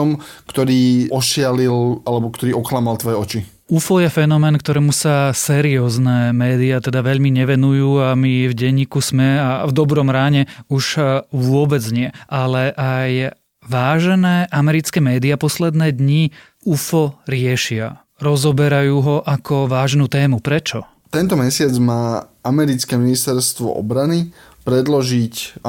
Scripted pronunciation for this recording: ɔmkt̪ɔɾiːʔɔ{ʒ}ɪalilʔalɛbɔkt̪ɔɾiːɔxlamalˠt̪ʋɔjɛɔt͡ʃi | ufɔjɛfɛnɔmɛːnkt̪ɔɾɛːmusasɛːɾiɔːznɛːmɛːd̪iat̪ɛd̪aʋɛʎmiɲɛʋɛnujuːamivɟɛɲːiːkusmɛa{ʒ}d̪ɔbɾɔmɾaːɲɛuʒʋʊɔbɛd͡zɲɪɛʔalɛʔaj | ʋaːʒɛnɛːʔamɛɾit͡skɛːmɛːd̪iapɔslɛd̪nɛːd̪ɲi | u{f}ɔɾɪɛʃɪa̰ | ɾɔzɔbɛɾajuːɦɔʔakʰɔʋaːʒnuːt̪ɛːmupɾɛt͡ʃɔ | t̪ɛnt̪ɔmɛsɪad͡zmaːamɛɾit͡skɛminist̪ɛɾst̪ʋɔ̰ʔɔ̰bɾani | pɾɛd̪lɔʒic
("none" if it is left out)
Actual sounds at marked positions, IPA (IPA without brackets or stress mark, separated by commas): ʃ, v, f